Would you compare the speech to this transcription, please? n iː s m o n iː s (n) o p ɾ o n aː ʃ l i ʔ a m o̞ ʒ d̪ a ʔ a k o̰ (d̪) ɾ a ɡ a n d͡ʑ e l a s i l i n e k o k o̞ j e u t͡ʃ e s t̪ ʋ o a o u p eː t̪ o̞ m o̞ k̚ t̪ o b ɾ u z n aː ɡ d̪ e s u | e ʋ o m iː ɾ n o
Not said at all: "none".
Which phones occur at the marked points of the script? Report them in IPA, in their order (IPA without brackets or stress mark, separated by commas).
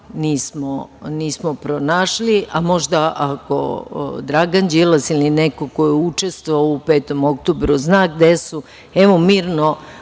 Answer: m, d̪